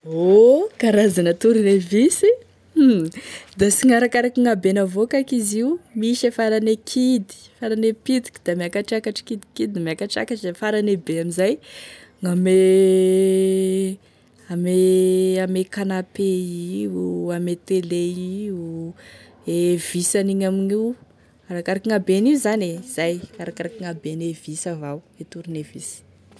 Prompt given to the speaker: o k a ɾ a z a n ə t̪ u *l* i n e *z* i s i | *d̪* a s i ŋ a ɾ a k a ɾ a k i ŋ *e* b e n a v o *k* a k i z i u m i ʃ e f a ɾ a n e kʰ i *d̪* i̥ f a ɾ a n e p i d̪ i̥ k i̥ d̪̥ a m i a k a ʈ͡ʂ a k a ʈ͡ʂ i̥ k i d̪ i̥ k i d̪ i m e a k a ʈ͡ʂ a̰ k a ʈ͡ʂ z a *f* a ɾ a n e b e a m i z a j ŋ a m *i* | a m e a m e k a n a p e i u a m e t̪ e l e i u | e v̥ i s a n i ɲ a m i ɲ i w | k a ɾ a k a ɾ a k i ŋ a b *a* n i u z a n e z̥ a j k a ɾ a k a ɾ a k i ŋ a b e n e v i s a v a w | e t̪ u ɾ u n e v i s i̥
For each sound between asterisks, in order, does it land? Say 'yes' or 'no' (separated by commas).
no, no, yes, no, yes, yes, yes, no, no